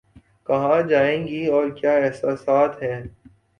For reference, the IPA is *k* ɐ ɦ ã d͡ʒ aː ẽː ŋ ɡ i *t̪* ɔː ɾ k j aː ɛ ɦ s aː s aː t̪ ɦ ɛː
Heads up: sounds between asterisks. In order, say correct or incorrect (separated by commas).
correct, incorrect